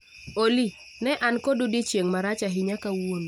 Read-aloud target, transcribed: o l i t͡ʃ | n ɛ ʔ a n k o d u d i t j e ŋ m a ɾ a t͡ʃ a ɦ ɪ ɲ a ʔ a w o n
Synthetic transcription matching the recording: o l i | n ɛ ʔ a n k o d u d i t͡ʃ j e ŋ m a ɾ a t͡ʃ a ɦ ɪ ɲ a k a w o n